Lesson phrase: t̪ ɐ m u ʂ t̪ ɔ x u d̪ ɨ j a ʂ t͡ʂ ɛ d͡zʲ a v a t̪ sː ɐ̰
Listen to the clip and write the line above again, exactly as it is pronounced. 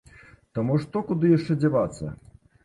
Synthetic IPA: t̪ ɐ m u ʂ t̪ ɔ k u d̪ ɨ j a ʂ t͡ʂ ɛ d͡zʲ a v a t̪ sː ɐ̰